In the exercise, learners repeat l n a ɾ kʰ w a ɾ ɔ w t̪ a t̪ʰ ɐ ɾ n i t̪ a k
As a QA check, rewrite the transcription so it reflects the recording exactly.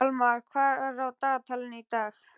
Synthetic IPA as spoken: l m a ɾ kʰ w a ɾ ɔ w t̪ a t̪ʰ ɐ l n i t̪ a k